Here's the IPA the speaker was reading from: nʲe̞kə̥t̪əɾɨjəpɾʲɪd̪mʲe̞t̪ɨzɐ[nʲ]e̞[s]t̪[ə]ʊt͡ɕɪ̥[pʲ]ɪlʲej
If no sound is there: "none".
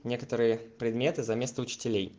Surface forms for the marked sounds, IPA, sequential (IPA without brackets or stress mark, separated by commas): mʲ, s, ə, tʲ